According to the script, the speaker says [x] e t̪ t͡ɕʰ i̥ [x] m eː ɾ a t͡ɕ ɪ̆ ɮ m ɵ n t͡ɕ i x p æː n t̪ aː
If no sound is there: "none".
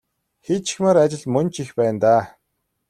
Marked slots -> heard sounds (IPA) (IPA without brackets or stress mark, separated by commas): x, x